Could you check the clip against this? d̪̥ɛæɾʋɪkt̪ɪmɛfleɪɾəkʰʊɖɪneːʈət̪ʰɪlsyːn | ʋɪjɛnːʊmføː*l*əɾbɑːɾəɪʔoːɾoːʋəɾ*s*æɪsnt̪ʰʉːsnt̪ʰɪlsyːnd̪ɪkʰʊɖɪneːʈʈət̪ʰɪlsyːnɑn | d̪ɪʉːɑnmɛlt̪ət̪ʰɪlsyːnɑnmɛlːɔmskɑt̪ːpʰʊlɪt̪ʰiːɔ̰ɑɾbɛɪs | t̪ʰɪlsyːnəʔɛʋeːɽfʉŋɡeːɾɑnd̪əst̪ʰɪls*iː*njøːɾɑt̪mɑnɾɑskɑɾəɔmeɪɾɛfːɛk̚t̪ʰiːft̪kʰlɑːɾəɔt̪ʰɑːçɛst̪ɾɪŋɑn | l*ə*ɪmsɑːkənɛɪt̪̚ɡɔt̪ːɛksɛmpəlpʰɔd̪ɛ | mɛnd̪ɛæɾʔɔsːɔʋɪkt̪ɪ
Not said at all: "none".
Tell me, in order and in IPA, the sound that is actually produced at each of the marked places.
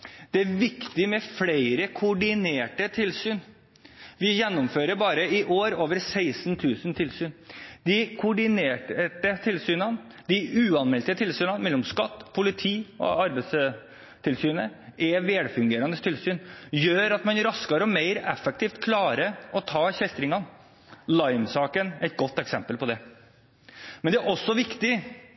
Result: ɾ, s, yː, ɑ

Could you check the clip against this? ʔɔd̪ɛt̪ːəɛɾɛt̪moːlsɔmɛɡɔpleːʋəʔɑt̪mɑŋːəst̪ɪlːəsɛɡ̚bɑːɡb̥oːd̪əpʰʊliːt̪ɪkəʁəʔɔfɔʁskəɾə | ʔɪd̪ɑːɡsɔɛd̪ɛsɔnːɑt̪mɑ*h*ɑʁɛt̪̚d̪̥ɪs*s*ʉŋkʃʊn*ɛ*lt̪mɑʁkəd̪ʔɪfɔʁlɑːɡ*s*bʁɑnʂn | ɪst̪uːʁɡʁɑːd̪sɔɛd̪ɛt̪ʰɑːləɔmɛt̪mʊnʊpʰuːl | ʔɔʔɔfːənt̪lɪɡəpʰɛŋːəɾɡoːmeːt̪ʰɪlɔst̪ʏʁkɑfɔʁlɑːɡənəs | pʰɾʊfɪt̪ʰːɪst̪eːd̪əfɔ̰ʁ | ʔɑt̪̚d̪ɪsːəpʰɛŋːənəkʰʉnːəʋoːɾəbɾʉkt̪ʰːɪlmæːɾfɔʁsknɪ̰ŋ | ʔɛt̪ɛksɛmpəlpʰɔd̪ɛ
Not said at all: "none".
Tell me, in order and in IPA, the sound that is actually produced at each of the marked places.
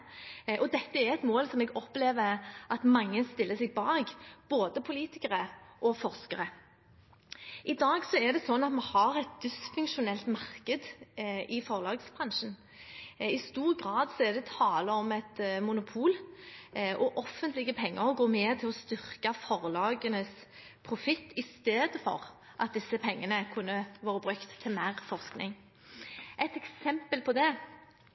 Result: h, f, ɛ, s

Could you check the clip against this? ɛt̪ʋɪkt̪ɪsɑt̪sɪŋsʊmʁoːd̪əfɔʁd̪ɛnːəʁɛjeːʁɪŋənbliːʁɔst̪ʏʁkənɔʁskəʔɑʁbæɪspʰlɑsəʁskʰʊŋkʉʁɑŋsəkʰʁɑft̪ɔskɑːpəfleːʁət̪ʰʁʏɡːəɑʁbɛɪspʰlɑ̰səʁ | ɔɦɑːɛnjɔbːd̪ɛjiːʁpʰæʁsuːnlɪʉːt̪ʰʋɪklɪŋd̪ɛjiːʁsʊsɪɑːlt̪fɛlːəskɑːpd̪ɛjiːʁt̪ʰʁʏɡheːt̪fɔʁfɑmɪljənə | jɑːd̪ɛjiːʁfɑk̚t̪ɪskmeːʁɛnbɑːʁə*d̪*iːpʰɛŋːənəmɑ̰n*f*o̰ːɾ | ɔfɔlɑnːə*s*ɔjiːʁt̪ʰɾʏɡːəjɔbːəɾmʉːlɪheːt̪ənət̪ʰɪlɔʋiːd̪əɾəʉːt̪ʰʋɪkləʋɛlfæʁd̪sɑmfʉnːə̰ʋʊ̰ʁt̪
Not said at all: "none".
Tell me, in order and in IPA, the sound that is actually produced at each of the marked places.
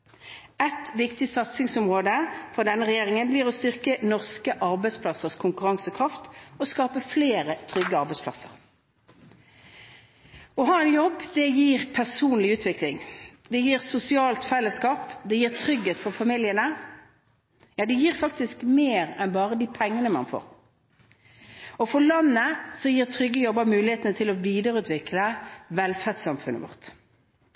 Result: d̪, f, s

